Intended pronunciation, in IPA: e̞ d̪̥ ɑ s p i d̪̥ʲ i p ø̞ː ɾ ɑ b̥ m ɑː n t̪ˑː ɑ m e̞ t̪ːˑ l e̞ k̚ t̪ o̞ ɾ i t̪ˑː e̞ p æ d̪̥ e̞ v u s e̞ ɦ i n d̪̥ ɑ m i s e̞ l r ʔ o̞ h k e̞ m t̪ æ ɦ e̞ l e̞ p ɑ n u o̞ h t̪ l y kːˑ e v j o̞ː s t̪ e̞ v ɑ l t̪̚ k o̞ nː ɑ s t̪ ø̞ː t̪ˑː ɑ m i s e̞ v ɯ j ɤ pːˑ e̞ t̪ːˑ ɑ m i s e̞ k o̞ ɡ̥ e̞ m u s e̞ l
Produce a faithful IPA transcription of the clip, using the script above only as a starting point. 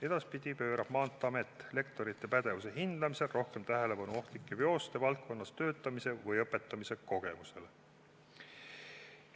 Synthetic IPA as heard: e̞ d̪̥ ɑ s p i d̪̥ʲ i p ø̞ː ɾ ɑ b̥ m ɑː n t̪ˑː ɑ m e̞ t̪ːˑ l e̞ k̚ t̪ o̞ ɾ i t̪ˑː e̞ p æ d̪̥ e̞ v u s e̞ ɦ i n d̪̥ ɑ m i s e̞ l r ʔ o̞ h k e̞ m t̪ æ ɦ e̞ l e̞ p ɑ n u o̞ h t̪ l i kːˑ e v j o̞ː s t̪ e̞ v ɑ l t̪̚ k o̞ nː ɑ s t̪ ø̞ː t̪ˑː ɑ m i s e̞ v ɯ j ɤ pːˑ e̞ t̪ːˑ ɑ m i s e̞ k o̞ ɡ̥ e̞ m u s e̞ l